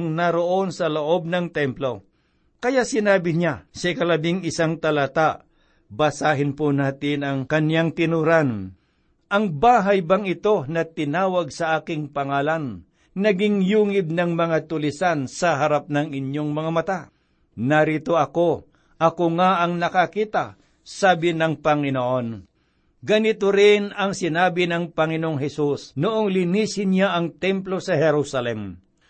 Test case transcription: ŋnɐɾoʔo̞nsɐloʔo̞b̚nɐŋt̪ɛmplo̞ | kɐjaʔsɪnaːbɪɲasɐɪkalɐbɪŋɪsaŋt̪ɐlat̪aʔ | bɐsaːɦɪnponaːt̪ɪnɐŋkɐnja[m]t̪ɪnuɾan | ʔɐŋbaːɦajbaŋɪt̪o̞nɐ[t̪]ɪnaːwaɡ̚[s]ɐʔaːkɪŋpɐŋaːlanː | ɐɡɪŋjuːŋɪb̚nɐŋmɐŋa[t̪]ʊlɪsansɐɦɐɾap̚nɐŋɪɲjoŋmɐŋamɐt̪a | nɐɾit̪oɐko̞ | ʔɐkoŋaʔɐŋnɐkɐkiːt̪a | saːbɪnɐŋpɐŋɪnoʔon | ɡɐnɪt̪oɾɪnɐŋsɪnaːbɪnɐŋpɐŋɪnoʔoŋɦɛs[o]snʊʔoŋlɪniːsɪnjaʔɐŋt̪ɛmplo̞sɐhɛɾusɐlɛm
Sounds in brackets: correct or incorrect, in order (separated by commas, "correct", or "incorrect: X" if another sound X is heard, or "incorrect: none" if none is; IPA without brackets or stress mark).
incorrect: ŋ, correct, correct, correct, incorrect: u